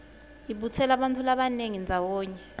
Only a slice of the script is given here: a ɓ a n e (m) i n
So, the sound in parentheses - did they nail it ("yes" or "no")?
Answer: no